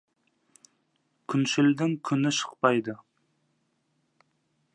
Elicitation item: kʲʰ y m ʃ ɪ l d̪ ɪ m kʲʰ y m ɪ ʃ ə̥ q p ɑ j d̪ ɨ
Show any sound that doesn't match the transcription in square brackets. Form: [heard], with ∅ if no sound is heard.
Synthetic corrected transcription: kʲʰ y [n] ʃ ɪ l d̪ ɪ [ŋ] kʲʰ y [n] ɪ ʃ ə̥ q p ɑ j d̪ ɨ